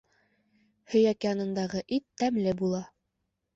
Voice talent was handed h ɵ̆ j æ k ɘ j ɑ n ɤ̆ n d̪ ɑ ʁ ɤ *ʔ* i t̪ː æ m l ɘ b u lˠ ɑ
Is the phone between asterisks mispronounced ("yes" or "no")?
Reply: no